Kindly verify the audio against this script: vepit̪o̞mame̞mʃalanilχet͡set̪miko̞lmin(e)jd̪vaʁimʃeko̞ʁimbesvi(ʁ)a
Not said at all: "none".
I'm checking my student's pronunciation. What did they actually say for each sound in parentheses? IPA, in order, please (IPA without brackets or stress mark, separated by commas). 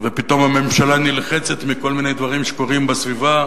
e, v